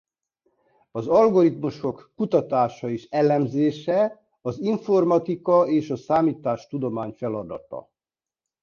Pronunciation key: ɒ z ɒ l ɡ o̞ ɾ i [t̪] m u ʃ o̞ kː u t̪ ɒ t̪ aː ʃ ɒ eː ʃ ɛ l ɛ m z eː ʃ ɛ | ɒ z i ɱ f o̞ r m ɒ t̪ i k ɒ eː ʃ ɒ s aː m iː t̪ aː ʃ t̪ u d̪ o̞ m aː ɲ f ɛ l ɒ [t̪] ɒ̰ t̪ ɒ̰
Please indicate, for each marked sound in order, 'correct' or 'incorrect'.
correct, incorrect: d̪

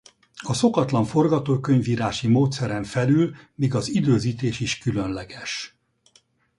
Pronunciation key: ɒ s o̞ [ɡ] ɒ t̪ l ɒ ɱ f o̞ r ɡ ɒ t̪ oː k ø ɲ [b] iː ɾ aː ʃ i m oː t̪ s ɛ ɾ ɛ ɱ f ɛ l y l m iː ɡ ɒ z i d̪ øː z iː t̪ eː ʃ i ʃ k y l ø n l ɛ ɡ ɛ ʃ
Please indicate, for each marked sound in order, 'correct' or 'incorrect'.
incorrect: k, incorrect: v

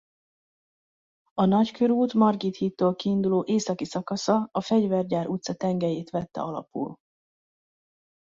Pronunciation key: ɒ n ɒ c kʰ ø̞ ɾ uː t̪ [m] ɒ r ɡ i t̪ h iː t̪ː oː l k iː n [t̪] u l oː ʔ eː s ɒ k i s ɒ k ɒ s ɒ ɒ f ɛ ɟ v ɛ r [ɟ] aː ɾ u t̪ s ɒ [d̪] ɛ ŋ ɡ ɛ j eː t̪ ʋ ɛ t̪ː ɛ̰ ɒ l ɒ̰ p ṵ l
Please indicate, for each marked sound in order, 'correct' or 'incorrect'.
correct, incorrect: d̪, correct, incorrect: t̪

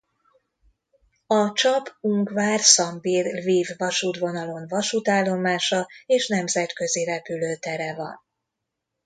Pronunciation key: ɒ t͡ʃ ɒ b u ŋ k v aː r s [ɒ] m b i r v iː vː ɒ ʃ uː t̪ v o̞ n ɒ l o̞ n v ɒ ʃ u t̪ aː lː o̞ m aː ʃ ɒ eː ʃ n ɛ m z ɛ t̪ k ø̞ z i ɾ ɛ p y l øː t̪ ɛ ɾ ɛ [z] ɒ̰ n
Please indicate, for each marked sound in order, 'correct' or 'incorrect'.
correct, incorrect: v

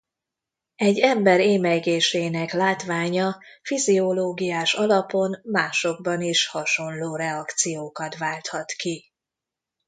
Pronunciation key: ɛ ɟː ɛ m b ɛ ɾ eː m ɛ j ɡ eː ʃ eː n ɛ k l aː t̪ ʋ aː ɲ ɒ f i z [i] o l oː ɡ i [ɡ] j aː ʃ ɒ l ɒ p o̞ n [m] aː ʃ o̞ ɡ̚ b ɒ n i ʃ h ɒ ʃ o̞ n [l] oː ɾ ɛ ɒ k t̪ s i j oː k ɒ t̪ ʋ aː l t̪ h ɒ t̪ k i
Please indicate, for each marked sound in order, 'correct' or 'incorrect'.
correct, incorrect: none, correct, correct

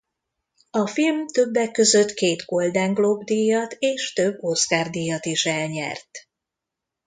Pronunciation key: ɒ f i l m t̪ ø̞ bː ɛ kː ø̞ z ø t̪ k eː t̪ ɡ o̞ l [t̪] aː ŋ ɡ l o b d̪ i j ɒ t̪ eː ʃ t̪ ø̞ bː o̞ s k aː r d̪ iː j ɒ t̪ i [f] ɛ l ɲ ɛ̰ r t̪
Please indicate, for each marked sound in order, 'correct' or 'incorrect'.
incorrect: d̪, incorrect: ʃ

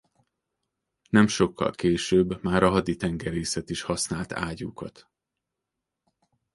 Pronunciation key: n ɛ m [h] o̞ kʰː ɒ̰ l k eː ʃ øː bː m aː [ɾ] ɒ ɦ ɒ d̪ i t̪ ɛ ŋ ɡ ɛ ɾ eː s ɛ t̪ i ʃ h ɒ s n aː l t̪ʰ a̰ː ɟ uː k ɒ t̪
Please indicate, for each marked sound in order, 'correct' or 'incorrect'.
incorrect: ʃ, correct

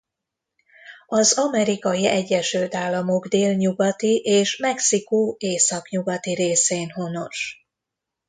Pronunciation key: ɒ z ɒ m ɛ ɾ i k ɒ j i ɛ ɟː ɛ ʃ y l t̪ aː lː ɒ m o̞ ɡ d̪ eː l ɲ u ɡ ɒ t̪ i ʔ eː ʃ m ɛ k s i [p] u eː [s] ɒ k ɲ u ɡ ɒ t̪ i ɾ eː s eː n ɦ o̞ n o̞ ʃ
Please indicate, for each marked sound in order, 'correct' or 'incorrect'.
incorrect: k, correct

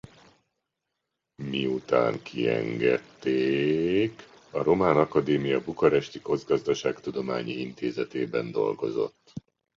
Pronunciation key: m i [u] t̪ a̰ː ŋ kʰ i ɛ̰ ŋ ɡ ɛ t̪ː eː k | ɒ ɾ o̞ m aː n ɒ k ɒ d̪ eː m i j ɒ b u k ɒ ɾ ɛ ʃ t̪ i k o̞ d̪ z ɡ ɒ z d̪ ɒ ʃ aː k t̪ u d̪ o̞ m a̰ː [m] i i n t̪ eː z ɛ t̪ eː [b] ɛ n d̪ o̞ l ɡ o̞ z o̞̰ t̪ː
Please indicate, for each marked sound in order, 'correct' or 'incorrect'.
correct, incorrect: ɲ, correct

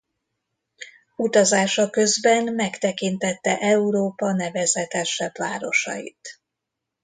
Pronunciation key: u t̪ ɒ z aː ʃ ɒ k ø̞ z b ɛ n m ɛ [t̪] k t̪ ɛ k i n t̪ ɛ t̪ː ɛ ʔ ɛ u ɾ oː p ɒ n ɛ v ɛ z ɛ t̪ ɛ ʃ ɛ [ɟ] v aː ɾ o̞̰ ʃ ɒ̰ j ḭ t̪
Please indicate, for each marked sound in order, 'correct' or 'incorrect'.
incorrect: none, incorrect: b

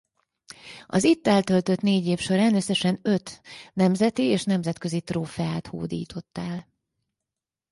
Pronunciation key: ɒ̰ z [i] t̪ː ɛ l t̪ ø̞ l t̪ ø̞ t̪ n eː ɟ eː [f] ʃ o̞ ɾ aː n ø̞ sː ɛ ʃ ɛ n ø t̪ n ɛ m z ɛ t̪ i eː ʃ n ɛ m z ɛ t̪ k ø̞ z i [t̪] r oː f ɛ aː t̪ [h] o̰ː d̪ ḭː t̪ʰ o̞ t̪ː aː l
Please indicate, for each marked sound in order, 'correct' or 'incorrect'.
correct, correct, correct, correct

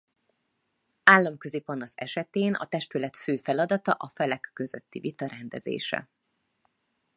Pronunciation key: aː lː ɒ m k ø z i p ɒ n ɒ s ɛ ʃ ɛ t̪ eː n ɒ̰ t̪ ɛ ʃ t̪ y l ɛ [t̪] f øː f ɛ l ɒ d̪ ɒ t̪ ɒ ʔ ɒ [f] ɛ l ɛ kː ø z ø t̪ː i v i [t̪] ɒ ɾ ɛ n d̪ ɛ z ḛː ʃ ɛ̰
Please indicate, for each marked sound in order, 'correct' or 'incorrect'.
correct, correct, correct

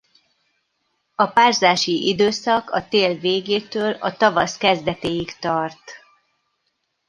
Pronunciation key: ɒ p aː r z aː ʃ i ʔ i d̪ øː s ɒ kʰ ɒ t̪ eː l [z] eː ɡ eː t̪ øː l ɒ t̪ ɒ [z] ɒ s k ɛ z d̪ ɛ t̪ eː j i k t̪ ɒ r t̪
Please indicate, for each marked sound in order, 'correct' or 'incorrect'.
incorrect: v, incorrect: v

